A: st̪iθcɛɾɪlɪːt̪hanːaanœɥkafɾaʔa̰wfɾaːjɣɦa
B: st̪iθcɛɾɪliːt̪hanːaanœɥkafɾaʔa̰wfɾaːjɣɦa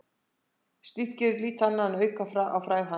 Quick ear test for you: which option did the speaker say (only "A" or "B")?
B